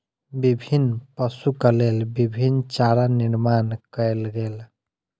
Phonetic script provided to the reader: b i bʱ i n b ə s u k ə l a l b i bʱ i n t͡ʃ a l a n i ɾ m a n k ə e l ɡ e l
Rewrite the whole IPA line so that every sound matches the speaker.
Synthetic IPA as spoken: b i bʱ i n p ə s u k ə l e l b i bʱ i n t͡ʃ a ɾ a n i ɾ m a n k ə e l ɡ e l

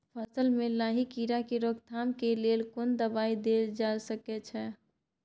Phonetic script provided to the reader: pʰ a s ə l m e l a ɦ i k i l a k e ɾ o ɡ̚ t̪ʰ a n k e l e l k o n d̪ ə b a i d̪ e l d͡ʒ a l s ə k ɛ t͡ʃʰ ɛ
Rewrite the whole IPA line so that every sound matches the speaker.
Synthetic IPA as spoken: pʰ ə s ə l m e l a ɦ i k i ɾ a k e ɾ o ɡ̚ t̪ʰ a m k e l e l k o n d̪ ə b a i d̪ e l d͡ʒ a l s ə k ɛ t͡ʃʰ ɛ

